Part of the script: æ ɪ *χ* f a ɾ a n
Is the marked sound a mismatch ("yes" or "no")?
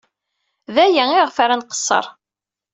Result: yes